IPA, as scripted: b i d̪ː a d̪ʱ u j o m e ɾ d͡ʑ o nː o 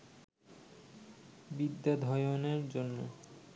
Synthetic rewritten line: b i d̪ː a d̪ʱ ɔ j o n e ɾ d͡ʑ o nː o